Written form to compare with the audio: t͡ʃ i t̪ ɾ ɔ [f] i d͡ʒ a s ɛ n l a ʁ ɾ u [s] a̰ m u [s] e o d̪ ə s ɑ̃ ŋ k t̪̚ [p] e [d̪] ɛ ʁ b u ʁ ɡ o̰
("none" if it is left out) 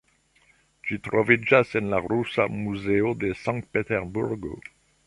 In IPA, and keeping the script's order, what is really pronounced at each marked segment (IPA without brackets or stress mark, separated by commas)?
v, s, z, p, t̪